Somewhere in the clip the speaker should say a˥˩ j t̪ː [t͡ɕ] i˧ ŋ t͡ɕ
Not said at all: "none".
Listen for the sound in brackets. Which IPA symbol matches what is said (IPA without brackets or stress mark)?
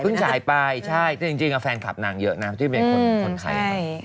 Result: t͡ɕ